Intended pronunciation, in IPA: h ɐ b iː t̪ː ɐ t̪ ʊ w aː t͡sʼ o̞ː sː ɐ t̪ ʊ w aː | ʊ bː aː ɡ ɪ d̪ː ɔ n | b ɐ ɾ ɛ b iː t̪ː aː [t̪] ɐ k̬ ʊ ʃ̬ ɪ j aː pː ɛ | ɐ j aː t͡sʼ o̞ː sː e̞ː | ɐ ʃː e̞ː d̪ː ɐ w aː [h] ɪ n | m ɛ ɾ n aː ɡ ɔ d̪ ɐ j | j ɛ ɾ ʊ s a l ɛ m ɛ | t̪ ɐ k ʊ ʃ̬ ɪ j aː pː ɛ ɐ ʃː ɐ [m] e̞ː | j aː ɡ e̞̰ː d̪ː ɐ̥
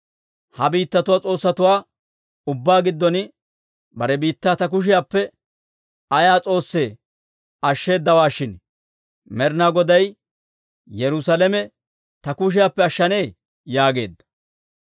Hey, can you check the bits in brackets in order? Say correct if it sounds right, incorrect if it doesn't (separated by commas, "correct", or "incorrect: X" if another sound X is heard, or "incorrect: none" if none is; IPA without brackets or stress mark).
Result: correct, incorrect: ʃ, incorrect: n